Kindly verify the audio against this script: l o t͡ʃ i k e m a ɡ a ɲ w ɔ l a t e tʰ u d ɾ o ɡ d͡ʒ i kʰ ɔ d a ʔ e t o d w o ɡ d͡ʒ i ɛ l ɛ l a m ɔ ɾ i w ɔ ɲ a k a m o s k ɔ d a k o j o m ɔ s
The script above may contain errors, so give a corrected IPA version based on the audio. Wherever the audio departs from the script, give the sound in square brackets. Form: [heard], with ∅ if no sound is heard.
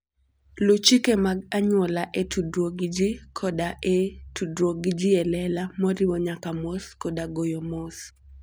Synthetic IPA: l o t͡ʃ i k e m a ɡ a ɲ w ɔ l a [ʔ] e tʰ u d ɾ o ɡ d͡ʒ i kʰ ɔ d a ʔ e t [u] d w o ɡ d͡ʒ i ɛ l ɛ l a m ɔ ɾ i w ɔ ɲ a k a m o s k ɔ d a [ɡ] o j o m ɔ s